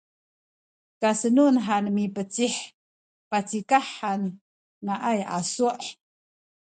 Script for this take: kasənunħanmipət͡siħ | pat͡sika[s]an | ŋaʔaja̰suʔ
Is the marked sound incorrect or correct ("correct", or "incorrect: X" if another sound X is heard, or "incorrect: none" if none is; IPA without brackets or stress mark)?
incorrect: ħ